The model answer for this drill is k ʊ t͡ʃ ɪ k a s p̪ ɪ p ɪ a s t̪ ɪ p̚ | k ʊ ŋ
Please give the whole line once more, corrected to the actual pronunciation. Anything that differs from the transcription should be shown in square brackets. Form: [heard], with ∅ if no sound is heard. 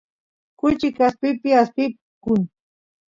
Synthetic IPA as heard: k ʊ t͡ʃ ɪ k a s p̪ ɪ p ɪ a s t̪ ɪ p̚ | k ʊ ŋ